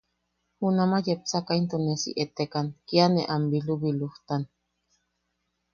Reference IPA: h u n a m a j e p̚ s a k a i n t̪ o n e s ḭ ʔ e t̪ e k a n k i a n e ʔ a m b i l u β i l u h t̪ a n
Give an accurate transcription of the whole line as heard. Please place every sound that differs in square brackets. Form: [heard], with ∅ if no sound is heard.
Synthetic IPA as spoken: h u n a m a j e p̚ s a k a i n t̪ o n e s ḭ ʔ e t̪ e k a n k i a n e ʔ a m b i l u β i l u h t̪ a n